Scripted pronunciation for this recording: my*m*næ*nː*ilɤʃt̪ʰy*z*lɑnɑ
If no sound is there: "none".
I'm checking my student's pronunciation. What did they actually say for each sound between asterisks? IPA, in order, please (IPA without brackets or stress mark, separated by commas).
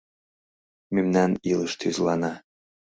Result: m, n, z